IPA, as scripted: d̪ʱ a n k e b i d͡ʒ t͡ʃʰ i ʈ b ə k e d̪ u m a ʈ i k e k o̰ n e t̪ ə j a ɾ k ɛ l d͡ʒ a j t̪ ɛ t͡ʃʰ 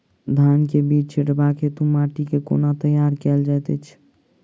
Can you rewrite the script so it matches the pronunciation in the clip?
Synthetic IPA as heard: d̪ʱ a n k e b i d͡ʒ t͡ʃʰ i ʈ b a k e t̪ u m a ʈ i k e k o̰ n a t̪ ə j a ɾ k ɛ l d͡ʒ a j t̪ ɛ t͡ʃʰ